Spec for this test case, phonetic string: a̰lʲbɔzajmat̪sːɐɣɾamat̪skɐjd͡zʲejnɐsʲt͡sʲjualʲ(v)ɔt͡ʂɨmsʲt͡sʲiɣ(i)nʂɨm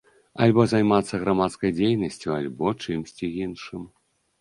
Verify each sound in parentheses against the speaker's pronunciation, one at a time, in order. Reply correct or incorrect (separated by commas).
incorrect, correct